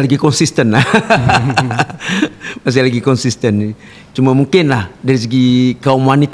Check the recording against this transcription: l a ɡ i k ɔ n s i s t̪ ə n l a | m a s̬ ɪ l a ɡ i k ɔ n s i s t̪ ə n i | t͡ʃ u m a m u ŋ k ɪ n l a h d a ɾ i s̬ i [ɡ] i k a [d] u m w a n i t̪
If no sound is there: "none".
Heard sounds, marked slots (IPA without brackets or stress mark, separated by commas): ɡ, none